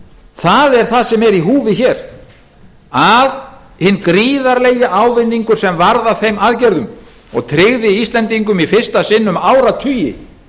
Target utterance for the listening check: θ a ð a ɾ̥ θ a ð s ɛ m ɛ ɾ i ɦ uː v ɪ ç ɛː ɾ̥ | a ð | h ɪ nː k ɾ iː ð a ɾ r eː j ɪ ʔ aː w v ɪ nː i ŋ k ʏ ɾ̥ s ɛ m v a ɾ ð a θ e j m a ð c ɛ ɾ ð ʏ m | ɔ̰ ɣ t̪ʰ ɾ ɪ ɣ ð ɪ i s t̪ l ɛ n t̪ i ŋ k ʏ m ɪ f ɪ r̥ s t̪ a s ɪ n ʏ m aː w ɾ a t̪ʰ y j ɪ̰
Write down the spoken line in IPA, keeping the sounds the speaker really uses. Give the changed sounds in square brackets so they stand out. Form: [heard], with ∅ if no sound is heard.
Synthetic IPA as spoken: θ a ð [ɛ] ɾ̥ θ a ð s ɛ m ɛ ɾ i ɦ uː v ɪ ç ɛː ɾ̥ | a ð | h ɪ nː k ɾ iː ð a ɾ [l] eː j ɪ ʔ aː w v ɪ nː i ŋ k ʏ ɾ̥ s ɛ m v a ɾ ð a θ e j m a ð c ɛ ɾ ð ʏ m | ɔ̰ ɣ t̪ʰ ɾ ɪ ɣ ð ɪ i s t̪ l ɛ n t̪ i ŋ k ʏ m [i] f ɪ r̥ s t̪ a s ɪ [nː] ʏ m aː w ɾ a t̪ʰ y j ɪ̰